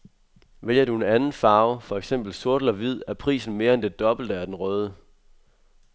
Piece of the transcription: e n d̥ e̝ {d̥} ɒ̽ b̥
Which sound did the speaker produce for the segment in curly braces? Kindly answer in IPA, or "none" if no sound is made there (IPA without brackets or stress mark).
d̥